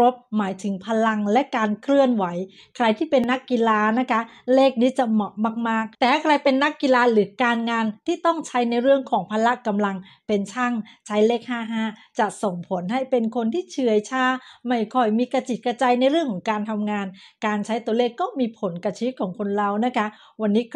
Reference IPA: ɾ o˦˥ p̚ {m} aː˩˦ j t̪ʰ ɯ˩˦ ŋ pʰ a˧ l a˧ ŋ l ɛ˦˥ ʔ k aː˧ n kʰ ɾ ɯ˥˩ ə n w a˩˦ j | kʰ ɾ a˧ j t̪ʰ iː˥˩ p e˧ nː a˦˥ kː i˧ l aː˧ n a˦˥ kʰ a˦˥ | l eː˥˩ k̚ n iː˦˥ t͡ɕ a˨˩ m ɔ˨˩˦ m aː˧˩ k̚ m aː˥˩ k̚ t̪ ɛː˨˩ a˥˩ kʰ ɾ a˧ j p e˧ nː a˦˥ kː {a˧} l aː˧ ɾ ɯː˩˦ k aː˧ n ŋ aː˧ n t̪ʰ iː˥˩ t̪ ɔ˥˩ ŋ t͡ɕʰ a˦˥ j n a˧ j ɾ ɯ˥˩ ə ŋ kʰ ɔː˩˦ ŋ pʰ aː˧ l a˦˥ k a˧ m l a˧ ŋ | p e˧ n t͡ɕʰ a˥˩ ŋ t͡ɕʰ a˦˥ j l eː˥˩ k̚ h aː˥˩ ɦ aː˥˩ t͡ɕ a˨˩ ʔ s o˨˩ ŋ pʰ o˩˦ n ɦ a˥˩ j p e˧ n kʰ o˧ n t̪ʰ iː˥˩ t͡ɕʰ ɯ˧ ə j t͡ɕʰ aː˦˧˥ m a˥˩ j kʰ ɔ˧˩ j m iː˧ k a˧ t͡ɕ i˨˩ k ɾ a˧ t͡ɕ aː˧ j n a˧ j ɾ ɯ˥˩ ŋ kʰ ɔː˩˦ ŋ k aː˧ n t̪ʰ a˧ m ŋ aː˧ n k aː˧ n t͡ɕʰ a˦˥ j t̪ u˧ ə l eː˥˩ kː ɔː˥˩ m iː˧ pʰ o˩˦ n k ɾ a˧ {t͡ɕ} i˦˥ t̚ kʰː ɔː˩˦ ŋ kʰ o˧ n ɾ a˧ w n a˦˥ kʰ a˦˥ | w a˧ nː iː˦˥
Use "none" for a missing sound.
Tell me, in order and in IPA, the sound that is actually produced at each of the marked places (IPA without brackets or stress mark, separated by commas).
m, i˧, t͡ɕʰ